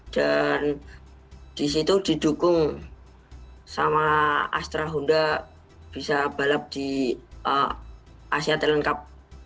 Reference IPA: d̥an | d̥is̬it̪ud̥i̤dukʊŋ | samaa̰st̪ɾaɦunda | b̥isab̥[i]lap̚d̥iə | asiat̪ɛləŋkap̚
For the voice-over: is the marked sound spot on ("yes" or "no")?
no